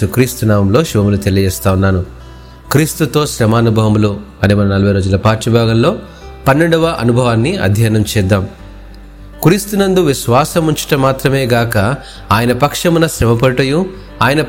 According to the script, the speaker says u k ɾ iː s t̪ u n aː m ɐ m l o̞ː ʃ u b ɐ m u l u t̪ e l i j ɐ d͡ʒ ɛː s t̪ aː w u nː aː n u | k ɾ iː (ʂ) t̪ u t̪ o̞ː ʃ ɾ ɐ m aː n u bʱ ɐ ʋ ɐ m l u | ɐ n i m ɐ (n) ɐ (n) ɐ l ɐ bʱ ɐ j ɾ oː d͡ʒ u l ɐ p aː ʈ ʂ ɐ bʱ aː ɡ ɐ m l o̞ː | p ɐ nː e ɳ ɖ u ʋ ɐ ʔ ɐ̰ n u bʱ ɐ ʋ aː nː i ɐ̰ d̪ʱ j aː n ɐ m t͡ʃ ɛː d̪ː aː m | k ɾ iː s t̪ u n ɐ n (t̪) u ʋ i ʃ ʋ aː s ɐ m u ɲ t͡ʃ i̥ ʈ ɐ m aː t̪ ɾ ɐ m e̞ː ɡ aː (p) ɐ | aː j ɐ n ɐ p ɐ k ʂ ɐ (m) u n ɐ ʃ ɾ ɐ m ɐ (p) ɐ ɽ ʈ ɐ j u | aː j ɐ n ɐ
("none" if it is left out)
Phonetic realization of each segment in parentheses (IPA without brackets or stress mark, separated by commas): s, n, n, d̪, k, m, p